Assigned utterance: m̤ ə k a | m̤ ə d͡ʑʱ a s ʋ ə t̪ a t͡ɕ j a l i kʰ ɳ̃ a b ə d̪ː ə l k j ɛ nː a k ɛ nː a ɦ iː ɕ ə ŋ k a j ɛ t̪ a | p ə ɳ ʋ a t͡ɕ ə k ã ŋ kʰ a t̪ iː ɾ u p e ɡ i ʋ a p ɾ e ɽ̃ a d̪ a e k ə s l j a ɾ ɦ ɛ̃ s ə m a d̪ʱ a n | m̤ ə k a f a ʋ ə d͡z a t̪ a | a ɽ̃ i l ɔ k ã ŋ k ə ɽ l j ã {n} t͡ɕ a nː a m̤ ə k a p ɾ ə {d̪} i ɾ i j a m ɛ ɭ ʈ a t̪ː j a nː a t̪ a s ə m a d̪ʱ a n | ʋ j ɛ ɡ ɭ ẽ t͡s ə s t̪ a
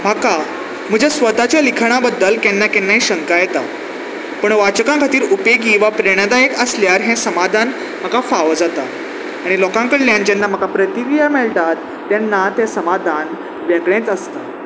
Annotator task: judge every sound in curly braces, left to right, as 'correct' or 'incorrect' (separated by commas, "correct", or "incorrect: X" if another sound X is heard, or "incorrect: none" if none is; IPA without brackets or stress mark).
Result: correct, incorrect: t̪